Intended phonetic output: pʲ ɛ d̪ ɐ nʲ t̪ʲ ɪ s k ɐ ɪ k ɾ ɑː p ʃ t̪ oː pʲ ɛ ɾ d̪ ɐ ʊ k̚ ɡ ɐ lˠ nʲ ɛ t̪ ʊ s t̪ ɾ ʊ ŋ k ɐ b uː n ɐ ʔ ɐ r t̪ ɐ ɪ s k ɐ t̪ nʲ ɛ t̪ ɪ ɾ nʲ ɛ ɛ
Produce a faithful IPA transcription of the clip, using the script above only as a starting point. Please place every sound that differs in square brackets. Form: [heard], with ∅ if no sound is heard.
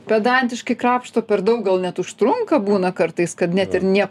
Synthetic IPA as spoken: pʲ ɛ d̪ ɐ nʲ t̪ʲ ɪ [ʃ] k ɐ ɪ k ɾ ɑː p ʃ t̪ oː pʲ ɛ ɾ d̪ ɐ ʊ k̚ ɡ ɐ lˠ nʲ ɛ t̪ ʊ [ʃ] t̪ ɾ ʊ ŋ k ɐ b uː n ɐ [k] ɐ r t̪ ɐ ɪ s k ɐ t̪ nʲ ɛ t̪ ɪ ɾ nʲ [i] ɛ